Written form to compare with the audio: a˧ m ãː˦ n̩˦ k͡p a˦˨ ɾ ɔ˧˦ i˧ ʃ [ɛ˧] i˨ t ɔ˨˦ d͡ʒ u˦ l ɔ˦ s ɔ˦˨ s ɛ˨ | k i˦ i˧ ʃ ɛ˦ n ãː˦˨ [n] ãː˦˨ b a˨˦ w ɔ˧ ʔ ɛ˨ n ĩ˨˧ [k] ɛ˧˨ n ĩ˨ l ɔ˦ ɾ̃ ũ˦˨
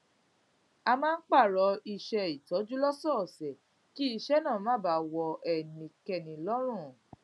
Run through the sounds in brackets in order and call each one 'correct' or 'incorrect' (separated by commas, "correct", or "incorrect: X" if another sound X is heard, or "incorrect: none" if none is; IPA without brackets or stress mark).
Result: correct, incorrect: m, correct